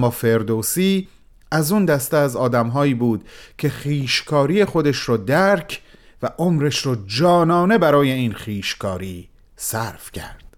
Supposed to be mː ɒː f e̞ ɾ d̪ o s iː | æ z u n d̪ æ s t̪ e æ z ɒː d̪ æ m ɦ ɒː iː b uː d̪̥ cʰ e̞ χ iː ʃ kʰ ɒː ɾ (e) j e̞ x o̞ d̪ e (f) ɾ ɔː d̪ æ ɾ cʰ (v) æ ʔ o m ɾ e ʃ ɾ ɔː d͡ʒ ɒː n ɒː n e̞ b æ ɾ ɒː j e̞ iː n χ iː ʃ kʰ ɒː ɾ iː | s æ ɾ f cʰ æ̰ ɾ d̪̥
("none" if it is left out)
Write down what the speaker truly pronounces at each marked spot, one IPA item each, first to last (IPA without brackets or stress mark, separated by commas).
i, ʃ, v